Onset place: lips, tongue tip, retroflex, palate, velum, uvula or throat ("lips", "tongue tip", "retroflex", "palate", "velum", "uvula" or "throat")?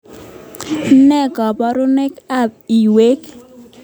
tongue tip